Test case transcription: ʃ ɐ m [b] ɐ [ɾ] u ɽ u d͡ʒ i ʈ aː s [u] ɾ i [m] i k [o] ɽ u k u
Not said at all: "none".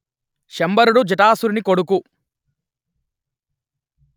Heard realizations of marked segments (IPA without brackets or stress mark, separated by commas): b, ɾ, u, n, o